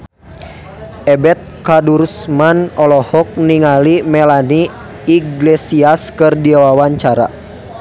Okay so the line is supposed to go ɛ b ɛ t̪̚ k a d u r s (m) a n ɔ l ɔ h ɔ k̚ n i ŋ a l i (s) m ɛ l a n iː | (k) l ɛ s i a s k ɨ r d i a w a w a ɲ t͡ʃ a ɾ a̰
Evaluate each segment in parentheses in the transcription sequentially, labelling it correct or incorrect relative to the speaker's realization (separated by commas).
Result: correct, incorrect, incorrect